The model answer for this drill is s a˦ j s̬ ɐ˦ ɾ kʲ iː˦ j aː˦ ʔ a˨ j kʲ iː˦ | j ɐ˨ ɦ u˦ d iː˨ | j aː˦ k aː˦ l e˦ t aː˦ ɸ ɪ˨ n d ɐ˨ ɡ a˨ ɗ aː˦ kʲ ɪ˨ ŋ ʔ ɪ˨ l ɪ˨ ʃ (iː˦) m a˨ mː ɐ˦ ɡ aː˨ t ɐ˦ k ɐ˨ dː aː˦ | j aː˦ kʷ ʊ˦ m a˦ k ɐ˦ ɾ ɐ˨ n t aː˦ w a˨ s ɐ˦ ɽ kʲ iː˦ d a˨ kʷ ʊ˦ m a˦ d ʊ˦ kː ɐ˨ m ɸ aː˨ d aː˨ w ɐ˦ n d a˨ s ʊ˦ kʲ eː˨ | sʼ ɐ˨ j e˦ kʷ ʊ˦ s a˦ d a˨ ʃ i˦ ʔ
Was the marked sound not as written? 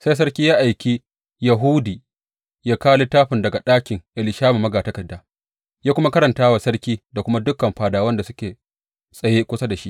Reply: yes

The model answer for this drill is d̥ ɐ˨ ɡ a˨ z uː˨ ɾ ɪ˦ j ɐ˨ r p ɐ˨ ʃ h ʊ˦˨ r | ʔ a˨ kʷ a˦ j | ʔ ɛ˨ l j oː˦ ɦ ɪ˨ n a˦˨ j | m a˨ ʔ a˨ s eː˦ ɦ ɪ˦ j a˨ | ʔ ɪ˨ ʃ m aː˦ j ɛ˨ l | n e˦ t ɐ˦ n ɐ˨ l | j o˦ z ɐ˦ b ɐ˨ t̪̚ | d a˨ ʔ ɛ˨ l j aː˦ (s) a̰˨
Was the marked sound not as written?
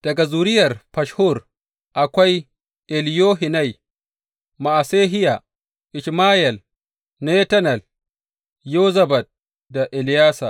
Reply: no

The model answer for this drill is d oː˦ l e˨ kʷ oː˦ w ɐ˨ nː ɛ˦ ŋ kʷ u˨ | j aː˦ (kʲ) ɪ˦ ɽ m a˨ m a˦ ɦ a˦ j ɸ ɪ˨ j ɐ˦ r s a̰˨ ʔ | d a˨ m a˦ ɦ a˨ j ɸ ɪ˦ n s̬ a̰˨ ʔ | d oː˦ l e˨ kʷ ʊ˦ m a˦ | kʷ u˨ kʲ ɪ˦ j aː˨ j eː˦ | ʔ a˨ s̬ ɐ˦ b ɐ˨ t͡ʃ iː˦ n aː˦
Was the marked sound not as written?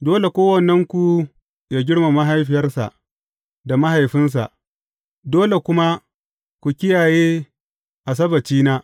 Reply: yes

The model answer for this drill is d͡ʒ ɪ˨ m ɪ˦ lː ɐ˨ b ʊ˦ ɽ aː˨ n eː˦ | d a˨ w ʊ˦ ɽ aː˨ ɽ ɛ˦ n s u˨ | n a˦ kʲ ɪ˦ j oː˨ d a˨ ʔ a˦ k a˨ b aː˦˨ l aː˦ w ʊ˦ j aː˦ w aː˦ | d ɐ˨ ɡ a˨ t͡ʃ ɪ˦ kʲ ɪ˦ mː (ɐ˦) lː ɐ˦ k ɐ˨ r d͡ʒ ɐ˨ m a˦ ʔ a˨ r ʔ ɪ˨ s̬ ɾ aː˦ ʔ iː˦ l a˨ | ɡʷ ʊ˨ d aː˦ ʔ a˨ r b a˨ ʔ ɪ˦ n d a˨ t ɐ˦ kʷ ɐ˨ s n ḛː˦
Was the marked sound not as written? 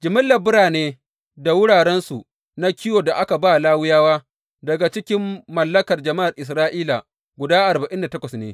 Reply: yes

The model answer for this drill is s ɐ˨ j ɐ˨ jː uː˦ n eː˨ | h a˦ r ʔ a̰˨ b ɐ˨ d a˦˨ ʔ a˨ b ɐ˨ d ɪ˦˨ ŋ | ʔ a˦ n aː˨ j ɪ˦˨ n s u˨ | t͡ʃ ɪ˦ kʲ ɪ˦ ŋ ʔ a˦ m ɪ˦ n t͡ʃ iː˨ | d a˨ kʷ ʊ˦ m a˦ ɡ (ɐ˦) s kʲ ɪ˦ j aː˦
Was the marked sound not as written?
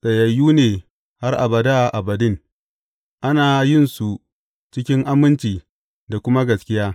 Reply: yes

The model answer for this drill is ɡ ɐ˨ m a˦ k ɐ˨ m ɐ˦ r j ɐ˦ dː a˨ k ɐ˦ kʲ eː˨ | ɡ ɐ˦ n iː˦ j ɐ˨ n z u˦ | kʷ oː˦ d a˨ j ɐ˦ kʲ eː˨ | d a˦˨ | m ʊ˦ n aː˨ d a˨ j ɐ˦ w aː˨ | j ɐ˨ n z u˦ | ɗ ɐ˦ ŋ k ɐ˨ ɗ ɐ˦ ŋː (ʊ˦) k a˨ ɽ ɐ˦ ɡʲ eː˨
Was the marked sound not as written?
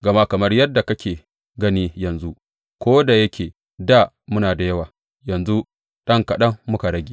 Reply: no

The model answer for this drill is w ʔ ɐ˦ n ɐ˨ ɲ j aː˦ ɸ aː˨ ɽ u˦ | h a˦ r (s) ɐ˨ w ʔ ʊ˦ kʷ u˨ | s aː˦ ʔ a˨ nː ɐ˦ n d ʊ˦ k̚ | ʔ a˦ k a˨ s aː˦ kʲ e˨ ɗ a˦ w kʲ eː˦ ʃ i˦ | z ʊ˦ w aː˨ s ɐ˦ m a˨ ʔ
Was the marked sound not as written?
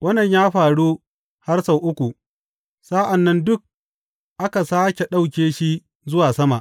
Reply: no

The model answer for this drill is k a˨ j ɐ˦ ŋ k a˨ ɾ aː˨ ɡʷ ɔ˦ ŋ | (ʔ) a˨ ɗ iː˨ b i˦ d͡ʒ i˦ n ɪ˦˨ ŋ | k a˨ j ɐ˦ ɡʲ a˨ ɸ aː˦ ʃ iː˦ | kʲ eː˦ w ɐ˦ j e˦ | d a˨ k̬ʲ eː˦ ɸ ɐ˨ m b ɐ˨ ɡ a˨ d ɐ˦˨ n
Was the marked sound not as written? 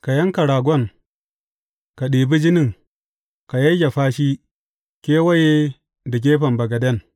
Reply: yes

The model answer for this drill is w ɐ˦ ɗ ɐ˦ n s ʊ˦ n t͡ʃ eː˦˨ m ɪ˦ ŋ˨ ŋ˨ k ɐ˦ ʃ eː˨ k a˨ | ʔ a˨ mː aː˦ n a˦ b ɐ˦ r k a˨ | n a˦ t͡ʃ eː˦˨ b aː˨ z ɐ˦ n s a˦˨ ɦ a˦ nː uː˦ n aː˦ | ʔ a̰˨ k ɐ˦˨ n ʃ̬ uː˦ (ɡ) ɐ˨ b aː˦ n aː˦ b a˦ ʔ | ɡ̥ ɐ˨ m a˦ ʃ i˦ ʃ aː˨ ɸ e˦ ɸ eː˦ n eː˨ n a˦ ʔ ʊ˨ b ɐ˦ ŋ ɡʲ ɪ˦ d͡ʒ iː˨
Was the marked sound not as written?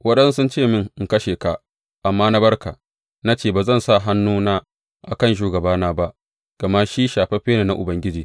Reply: no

